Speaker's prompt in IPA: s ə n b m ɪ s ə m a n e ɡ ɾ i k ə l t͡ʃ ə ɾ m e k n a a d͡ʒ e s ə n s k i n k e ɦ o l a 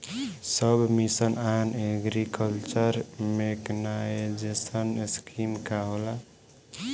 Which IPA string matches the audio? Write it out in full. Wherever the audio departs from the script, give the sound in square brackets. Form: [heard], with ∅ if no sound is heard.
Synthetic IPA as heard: s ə [∅] b m [i] s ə [n] a n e ɡ ɾ i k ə l t͡ʃ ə ɾ m e k n a [e] d͡ʒ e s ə n s k i [m] k [a] ɦ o l a